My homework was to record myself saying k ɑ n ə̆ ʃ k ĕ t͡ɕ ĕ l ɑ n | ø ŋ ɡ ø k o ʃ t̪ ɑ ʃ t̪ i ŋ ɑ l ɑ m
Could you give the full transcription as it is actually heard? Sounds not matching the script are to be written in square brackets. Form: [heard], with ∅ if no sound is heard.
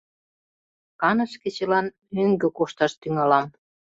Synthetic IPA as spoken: k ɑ n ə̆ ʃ k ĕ t͡ɕ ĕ l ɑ n | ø ŋ ɡ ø k o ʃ t̪ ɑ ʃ t̪ [y] ŋ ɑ l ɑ m